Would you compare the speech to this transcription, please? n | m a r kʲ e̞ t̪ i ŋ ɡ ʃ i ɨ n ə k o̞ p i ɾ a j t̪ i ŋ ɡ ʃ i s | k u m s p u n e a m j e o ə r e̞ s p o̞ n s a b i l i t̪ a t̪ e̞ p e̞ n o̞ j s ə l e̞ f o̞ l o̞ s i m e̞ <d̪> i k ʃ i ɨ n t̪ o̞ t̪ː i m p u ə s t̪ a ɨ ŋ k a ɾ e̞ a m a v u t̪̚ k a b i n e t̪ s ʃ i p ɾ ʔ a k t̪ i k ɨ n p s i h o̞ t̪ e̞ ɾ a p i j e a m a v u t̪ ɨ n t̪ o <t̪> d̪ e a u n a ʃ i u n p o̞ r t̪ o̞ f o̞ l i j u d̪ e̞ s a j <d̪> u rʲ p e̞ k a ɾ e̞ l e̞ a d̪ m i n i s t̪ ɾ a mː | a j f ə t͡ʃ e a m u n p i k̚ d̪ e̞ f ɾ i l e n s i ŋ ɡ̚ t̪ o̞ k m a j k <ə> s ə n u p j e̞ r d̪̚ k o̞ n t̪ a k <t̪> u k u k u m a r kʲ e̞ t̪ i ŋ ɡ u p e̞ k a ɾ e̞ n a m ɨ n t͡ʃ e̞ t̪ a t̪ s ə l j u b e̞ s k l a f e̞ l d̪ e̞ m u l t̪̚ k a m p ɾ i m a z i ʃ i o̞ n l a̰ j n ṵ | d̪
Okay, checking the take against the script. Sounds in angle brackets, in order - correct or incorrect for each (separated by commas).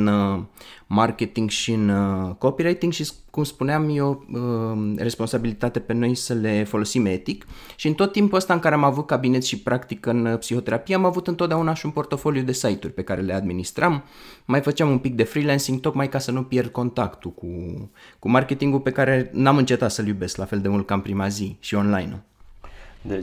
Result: incorrect, correct, incorrect, incorrect, correct